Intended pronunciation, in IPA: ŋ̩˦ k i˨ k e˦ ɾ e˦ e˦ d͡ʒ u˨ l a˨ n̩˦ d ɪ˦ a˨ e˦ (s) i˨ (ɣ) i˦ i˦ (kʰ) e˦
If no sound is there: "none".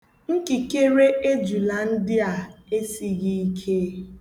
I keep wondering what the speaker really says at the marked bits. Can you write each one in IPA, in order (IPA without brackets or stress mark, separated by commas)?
s, ɣ, kʰ